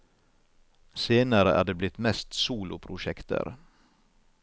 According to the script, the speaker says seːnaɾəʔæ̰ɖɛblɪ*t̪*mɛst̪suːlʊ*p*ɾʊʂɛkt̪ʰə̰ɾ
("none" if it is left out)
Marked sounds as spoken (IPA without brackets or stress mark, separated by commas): t̪, pʰ